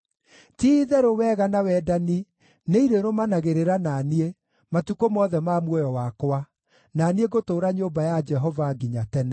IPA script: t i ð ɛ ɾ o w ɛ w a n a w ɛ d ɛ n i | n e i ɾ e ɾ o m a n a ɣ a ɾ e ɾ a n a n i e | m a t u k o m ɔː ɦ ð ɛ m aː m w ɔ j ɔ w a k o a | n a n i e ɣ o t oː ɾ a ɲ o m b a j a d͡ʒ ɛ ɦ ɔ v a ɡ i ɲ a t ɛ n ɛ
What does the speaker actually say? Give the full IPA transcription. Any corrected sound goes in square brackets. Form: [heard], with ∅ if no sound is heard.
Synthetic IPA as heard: t i ð ɛ ɾ o w ɛ [ɣ] a n a w ɛ d [a] n i | n e i ɾ e ɾ o m a n a ɣ [e] ɾ e ɾ a n a n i e | m a t u k o m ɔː [∅] ð ɛ m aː m w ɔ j ɔ w a k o a | n a n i e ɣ o t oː ɾ a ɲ o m b a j a d͡ʒ ɛ ɦ ɔ v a ɡ i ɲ a t ɛ n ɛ